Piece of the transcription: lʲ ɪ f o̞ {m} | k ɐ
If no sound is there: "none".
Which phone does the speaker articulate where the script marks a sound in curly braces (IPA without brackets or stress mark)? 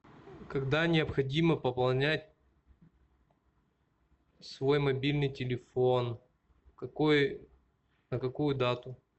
n